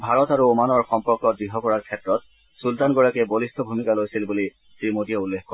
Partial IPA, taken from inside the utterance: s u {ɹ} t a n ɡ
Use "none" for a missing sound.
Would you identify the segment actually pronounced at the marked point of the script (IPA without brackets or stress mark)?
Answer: l